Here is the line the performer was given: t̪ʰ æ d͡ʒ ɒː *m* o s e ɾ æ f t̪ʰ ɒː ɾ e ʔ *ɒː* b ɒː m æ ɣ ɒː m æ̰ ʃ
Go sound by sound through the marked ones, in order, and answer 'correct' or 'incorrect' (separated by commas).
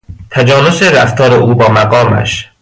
incorrect, incorrect